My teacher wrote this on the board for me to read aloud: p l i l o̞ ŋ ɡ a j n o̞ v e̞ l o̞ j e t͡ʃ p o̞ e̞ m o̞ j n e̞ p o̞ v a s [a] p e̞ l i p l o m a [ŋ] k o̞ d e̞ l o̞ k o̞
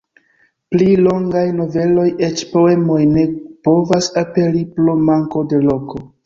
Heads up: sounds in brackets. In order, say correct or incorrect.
correct, correct

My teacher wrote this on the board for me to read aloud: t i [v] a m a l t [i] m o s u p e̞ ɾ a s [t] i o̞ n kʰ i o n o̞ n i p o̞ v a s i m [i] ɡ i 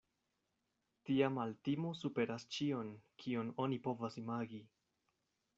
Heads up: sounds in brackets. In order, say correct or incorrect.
incorrect: none, correct, incorrect: t͡ʃ, incorrect: a

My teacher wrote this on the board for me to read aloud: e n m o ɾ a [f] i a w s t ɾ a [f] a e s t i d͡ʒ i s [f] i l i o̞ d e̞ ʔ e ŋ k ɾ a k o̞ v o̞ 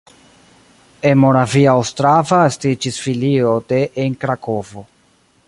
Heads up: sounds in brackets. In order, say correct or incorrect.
incorrect: v, incorrect: v, correct

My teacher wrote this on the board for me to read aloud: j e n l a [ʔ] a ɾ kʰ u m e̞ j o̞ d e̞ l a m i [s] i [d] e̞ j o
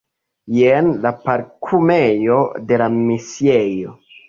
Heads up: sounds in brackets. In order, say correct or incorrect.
incorrect: p, correct, incorrect: none

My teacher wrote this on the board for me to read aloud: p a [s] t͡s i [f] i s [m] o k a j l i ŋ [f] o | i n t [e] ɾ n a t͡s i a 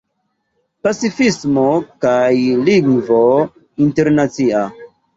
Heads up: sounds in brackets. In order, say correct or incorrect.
incorrect: none, correct, correct, incorrect: v, correct

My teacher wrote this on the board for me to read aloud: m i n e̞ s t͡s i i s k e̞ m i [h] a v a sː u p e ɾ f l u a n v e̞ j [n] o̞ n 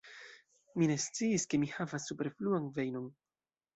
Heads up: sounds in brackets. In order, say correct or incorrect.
correct, correct

